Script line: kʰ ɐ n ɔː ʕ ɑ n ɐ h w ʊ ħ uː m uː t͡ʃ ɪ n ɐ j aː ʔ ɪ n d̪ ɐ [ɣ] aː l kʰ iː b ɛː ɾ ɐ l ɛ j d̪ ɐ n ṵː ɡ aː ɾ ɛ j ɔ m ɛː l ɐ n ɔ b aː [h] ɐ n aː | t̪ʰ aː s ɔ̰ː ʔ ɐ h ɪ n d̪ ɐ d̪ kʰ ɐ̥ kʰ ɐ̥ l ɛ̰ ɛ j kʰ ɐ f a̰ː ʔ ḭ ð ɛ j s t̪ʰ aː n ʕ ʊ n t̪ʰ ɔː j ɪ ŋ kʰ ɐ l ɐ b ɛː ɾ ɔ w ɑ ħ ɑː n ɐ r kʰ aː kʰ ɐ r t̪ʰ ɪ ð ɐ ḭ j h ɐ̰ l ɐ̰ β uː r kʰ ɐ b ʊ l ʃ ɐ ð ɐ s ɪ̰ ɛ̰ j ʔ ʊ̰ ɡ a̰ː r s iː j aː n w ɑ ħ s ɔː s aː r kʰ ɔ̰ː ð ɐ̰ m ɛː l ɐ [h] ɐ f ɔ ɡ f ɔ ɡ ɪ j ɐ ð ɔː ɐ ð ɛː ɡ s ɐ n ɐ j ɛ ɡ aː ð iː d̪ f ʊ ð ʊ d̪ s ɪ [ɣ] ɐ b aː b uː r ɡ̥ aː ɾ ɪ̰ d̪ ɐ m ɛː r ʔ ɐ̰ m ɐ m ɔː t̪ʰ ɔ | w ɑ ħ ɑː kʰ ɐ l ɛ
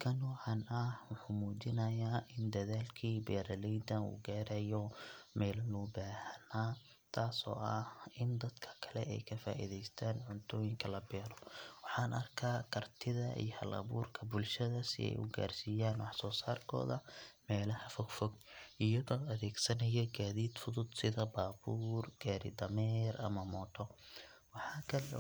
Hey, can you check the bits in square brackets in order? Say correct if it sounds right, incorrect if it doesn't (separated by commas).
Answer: incorrect, correct, correct, incorrect